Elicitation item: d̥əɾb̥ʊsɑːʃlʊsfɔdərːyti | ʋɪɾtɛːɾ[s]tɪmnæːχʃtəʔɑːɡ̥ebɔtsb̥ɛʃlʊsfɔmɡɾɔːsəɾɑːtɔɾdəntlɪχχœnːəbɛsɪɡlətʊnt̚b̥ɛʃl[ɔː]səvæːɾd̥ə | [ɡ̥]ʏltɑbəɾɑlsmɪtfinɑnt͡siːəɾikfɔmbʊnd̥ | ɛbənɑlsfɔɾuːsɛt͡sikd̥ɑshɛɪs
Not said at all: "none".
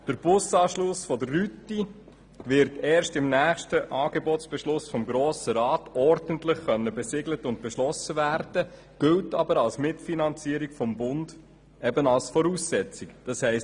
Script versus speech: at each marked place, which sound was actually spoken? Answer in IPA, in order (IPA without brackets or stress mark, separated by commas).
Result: ʃ, ɔ, ɡ̥